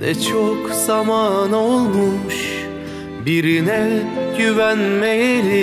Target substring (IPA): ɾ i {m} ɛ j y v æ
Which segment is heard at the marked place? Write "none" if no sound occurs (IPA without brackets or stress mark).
n